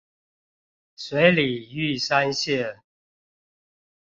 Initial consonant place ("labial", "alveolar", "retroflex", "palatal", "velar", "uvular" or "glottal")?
alveolar